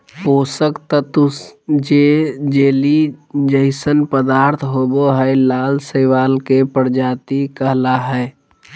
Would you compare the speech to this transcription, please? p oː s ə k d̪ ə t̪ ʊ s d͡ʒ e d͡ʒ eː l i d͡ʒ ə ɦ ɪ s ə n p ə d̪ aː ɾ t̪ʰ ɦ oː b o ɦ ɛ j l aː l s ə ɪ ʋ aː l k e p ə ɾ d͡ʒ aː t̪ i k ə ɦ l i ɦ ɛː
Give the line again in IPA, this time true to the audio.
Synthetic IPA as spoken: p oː s ə k t̪ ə t̪ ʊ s d͡ʒ e d͡ʒ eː l i d͡ʒ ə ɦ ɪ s ə n p ə d̪ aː ɾ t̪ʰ ɦ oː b o ɦ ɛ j l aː l s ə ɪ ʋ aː l k e p ə ɾ d͡ʒ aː t̪ i k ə ɦ l a ɦ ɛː